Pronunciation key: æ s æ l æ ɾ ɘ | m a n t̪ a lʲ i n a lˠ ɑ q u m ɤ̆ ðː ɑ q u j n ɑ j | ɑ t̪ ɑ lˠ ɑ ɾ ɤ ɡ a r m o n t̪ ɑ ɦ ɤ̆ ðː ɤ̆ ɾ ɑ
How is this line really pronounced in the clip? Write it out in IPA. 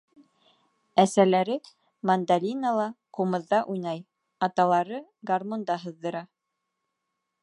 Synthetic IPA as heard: æ s æ l æ ɾ ɘ | m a n d̪ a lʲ i n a lˠ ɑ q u m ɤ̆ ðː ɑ ʔ u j n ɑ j | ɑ t̪ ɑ lˠ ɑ ɾ ɤ ɡ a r m o n d̪ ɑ ɦ ɤ̆ ðː ɤ̆ ɾ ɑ